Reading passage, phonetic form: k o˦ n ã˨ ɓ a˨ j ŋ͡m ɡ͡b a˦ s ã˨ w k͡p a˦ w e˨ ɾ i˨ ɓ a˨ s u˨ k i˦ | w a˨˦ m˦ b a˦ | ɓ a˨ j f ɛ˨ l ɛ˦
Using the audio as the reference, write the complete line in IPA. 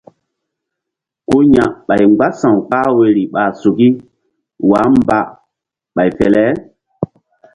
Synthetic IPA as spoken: k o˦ ɲ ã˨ ɓ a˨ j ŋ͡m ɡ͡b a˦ s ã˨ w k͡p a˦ w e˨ ɾ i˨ ɓ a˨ s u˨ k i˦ | w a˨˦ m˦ b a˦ | ɓ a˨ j f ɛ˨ l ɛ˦